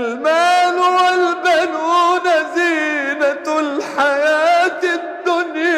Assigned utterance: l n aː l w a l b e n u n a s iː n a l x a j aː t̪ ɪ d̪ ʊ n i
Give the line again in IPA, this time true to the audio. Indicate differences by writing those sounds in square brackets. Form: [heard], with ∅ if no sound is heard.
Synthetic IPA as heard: l [m] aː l w a l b [a] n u n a [z] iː n a l [ħ] a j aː t̪ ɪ [d̪ː] ʊ n [j]